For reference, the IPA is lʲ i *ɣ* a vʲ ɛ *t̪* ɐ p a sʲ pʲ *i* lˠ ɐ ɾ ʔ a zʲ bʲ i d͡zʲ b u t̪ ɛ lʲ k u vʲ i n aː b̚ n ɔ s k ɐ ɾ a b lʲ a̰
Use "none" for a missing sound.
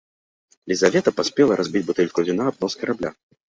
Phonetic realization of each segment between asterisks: z, t̪, ɛ

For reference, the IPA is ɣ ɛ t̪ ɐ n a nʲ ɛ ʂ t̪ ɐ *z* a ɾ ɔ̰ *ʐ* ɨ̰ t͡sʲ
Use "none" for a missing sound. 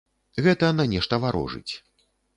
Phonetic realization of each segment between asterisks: v, ʐ

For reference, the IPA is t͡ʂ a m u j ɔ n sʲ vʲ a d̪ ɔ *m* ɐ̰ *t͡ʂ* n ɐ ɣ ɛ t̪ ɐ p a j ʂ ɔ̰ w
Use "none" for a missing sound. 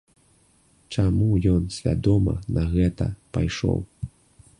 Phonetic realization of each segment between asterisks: m, none

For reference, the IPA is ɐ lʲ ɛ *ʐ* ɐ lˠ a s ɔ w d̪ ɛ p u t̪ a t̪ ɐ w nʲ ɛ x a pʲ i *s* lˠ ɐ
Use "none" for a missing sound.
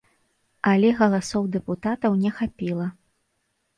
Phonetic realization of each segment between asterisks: ɣ, none

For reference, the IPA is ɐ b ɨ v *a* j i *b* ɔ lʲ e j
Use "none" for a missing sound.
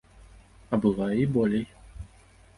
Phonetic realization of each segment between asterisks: a, b

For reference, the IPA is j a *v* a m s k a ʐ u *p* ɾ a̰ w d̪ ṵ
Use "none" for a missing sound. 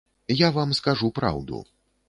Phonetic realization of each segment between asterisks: v, p

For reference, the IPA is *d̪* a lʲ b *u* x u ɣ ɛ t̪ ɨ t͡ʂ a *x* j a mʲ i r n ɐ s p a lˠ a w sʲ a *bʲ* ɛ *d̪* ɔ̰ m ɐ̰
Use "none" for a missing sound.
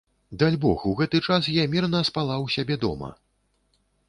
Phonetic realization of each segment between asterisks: d̪, ɔ, s, bʲ, d̪

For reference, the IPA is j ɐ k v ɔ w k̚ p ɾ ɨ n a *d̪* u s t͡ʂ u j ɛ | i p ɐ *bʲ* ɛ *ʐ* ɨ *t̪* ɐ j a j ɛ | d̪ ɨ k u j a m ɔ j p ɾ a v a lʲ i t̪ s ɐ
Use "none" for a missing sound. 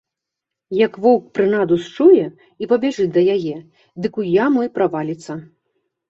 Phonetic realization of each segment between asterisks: d̪, bʲ, ʐ, d̪

